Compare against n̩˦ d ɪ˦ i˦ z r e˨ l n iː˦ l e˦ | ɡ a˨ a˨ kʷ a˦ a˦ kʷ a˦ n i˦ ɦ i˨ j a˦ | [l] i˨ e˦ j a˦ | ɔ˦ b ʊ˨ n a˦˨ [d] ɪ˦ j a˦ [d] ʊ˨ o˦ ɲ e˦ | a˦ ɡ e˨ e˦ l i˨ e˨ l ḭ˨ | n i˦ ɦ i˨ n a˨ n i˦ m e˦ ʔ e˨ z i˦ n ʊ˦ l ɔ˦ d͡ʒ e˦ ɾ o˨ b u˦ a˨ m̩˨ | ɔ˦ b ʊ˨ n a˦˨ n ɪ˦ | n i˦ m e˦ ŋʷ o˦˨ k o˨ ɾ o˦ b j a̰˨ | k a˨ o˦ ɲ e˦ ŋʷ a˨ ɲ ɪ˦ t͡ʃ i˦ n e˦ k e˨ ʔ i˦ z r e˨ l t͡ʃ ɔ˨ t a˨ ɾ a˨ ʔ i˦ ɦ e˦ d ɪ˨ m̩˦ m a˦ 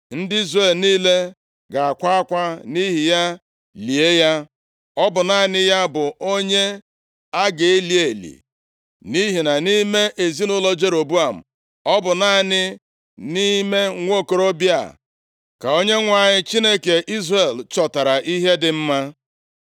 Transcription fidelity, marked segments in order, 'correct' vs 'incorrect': correct, incorrect, incorrect

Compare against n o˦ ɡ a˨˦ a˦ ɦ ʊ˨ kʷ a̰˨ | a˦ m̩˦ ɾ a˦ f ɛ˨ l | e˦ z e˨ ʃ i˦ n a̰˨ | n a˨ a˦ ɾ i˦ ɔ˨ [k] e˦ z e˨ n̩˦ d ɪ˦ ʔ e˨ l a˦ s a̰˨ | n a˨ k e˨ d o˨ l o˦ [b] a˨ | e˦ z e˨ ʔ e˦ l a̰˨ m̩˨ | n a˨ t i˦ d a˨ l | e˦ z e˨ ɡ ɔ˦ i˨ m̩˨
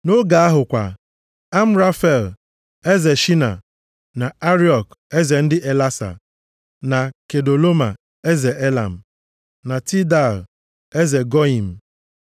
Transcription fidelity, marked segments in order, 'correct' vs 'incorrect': correct, incorrect

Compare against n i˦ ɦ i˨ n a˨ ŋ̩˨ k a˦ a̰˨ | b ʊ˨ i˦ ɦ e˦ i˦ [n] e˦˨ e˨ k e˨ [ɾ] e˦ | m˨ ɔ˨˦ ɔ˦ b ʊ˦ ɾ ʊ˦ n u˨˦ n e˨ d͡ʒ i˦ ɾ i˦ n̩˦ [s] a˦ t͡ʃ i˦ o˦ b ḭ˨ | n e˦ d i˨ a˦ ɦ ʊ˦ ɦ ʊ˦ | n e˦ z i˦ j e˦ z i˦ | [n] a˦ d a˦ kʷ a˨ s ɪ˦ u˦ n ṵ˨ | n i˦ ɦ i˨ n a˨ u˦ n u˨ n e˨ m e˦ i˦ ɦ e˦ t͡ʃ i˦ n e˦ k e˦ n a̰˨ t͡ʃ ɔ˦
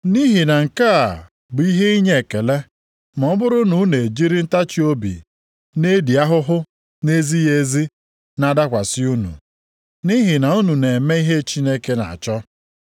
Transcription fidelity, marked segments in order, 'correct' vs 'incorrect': incorrect, incorrect, incorrect, correct

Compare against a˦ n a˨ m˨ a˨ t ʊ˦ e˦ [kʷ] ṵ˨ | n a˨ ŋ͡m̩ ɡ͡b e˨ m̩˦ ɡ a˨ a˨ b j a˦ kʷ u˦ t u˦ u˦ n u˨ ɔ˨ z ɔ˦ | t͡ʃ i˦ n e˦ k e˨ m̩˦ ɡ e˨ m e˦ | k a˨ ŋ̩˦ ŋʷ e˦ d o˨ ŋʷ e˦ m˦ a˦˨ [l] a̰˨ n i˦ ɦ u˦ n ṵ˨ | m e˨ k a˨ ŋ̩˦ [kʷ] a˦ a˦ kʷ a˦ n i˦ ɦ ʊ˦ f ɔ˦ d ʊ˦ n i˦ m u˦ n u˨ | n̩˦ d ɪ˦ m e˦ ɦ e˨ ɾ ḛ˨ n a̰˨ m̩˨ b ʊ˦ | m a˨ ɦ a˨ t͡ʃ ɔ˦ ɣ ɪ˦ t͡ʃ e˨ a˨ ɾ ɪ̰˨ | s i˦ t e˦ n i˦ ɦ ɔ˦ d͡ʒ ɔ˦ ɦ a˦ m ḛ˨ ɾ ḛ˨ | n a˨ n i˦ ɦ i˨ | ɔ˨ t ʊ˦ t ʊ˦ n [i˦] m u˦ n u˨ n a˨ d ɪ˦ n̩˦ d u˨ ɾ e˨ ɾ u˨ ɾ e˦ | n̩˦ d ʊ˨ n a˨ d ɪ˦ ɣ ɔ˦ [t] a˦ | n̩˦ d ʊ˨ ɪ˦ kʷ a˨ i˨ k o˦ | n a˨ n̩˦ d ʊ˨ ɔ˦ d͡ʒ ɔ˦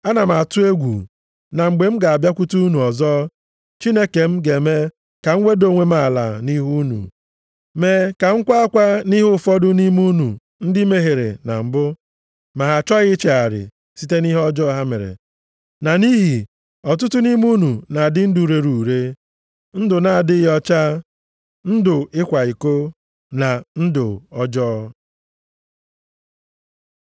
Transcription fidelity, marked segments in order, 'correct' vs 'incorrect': incorrect, correct, correct, correct, incorrect

